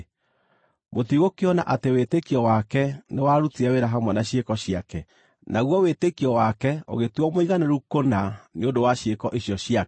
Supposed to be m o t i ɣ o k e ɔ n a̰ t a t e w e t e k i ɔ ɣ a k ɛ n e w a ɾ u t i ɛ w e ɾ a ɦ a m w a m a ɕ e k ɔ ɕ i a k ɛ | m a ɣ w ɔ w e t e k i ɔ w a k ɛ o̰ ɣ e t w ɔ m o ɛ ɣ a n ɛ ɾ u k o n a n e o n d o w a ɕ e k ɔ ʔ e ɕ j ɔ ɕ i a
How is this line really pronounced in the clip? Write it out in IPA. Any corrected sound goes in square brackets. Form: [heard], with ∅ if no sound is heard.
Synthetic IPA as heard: m o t i ɣ o k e ɔ n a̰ [ʔ] a t e w e t e k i ɔ [w] a k ɛ n e w a ɾ u t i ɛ w e ɾ a ɦ a m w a [n] a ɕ e k ɔ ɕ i a k ɛ | [n] a ɣ w ɔ w e t e k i ɔ w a k ɛ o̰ ɣ e t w ɔ m o [i] ɣ a n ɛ ɾ u k o n a n e o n d o w a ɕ e k ɔ ʔ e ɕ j ɔ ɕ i a

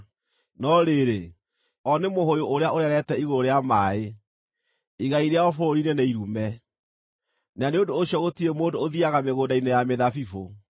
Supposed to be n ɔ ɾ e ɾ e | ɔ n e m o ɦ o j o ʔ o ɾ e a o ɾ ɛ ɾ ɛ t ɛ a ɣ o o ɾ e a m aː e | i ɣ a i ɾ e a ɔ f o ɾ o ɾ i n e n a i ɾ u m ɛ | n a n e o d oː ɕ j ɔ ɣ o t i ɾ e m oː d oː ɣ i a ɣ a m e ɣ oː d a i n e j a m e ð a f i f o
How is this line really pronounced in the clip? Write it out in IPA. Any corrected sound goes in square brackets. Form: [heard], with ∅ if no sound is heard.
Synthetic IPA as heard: n ɔ ɾ e ɾ e | ɔ n e m o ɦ o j o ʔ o ɾ e a o ɾ ɛ ɾ ɛ t ɛ [i] ɣ o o ɾ e a m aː e | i ɣ a i ɾ e a ɔ f o ɾ o ɾ i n e n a i ɾ u m ɛ | n a n e o d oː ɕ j ɔ ɣ o t i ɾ e m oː d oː [ð] i a ɣ a m e ɣ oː d a i n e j a m e ð a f i f o

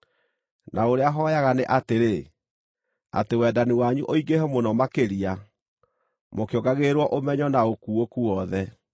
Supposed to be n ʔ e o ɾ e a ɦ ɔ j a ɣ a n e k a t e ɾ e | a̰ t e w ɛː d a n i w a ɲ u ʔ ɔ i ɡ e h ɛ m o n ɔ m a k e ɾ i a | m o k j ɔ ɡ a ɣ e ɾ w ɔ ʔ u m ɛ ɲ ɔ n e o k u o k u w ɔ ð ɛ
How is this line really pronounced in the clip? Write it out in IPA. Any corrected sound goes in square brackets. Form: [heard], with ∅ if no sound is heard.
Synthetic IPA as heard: n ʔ [a] o ɾ e a ɦ ɔ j a ɣ a n e [ʔ] a t e ɾ e | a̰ t e w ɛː d a n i w a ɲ u ʔ [o] i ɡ e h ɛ m o n ɔ m a k e ɾ i a | m o k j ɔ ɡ a ɣ e ɾ w ɔ ʔ [o] m ɛ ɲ ɔ n [a] o k u o k u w ɔ ð ɛ

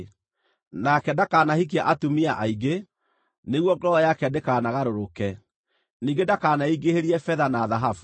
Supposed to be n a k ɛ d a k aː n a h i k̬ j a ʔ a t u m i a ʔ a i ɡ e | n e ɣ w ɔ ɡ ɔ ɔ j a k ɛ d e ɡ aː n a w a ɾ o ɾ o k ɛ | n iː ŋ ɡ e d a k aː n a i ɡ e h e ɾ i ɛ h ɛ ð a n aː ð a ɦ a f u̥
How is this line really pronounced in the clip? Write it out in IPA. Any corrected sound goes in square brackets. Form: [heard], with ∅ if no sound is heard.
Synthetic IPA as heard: n a k ɛ d a k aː n a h i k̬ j a ʔ a t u m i a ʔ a i ɡ e | n e ɣ w ɔ ɡ ɔ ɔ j a k ɛ d e [k] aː n a [ɣ] a ɾ o ɾ o k ɛ | n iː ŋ ɡ e d a k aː n a i ɡ e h e ɾ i ɛ [f] ɛ ð a n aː ð a ɦ a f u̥

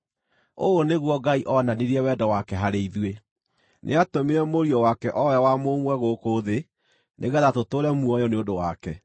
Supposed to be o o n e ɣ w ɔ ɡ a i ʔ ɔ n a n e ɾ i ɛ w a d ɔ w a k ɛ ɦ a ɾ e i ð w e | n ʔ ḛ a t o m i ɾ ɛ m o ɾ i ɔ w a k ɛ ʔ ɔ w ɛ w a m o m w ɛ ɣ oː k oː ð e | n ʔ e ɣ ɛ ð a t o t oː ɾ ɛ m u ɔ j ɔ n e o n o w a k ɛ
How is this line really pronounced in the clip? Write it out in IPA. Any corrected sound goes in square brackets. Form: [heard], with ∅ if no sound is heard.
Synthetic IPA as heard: o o n e ɣ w ɔ ɡ a i ʔ ɔ n a n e ɾ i ɛ w [ɛ] d ɔ w a k ɛ ɦ a ɾ e i ð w e | n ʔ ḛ a t o m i ɾ ɛ m o ɾ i ɔ w a k ɛ ʔ ɔ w ɛ w a m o m w ɛ ɣ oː k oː ð e | n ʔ e ɣ ɛ ð a t o t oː ɾ ɛ m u ɔ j ɔ n e o [d] o w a k ɛ

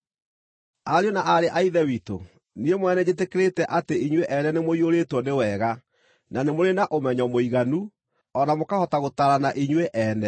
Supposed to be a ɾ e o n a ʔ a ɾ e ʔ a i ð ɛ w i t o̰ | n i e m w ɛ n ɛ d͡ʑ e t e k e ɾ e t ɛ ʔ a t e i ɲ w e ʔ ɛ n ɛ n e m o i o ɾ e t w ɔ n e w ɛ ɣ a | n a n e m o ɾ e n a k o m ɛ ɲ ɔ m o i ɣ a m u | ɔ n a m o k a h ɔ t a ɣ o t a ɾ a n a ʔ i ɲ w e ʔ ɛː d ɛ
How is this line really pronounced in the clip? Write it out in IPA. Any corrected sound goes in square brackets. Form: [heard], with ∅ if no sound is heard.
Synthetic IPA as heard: a ɾ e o n a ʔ a ɾ e ʔ a i ð ɛ w i t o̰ | n i e m w ɛ n ɛ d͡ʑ e t e k e ɾ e t ɛ ʔ a t e i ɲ w e ʔ ɛ n ɛ n e m o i o ɾ e t w ɔ n e w ɛ ɣ a | n a n e m o ɾ e n a [ʔ] o m ɛ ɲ ɔ m o i ɣ a [n] u | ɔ n a m o k a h ɔ t a ɣ o t a ɾ a n a ʔ i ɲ w e ʔ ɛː [n] ɛ

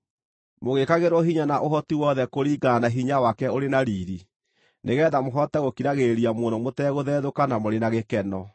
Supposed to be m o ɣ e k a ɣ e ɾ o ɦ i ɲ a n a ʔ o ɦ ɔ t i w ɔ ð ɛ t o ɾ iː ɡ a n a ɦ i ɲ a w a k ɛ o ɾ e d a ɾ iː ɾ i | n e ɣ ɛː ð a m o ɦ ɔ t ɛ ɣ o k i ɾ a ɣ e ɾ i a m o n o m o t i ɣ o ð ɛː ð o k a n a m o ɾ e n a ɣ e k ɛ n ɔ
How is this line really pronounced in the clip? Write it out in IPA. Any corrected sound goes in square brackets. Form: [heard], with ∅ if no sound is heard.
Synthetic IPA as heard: m o ɣ e k a ɣ e ɾ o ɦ i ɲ a n a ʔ o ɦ ɔ t i w ɔ ð ɛ [k] o ɾ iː ɡ a n a ɦ i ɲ a w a k ɛ o ɾ e [n] a ɾ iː ɾ i | n e ɣ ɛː ð a m o ɦ ɔ t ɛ ɣ o k i ɾ a ɣ e ɾ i a m o n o m o t [ɛ] ɣ o ð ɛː ð o k a n a m o ɾ e n a ɣ e k ɛ n ɔ

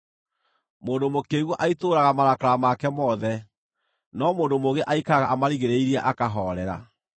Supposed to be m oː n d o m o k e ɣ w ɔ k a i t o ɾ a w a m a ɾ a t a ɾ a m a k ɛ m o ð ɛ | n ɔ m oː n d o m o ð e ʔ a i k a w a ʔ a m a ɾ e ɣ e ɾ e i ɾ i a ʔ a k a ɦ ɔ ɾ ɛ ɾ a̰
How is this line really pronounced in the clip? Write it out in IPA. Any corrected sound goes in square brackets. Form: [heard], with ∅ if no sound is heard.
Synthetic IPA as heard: m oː n d o m o k e ɣ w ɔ [ʔ] a i t o ɾ a [ɣ] a m a ɾ a [k] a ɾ a m a k ɛ m [ɔ] ð ɛ | n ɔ m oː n d o m o [ɣ] e ʔ a i k a [ɣ] a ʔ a m a ɾ [i] ɣ e ɾ e i ɾ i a ʔ a k a ɦ ɔ ɾ ɛ ɾ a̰

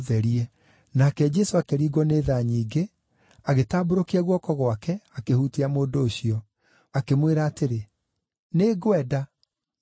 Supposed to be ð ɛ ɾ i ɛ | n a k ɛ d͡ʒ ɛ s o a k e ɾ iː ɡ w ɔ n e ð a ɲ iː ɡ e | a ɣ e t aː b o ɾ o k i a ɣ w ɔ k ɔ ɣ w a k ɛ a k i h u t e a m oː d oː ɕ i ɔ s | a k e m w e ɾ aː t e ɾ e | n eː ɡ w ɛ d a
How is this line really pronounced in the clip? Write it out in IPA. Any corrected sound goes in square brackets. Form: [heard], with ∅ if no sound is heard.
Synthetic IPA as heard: ð ɛ ɾ i ɛ | n a k ɛ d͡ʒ ɛ s o a k e ɾ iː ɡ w ɔ n e ð a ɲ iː ɡ e | a ɣ e t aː b o ɾ o k i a ɣ w ɔ k ɔ ɣ w a k ɛ a k [e] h u t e a m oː d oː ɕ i ɔ [∅] | a k e m w e ɾ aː t e ɾ e | n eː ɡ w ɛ d a

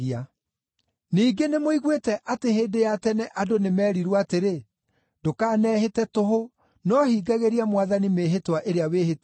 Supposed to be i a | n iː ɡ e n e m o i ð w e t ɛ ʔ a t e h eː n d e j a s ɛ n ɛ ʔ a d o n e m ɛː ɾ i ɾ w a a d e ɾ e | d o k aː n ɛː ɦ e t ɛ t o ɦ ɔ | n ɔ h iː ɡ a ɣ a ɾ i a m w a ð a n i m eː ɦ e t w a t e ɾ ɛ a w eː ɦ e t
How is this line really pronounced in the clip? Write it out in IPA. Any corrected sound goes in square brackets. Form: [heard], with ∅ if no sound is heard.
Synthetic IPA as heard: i a | n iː ɡ e n e m o i [ɣ] w e t ɛ ʔ a t e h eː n d e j a [t] ɛ n ɛ ʔ a d o n e m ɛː ɾ i ɾ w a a [t] e ɾ e | d o k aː n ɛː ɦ e t ɛ t o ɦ [o] | n ɔ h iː ɡ a ɣ [e] ɾ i a m w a ð a n i m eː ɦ e t w a [ʔ] e ɾ [e] a w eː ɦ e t

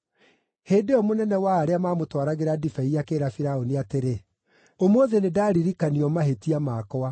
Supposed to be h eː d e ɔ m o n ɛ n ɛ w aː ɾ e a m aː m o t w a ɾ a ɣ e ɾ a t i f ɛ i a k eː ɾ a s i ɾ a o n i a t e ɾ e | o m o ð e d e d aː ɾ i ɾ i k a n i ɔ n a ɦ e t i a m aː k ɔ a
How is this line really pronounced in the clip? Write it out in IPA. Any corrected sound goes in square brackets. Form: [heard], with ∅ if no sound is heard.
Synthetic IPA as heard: h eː d e ɔ m o n ɛ n ɛ w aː ɾ e a m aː m o t w a ɾ a ɣ e ɾ a [d] i f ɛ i a k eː ɾ a [f] i ɾ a o n i a t e ɾ e | o m o ð e [n] e d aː ɾ i ɾ i k a n i ɔ [m] a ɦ e t i a m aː k ɔ a

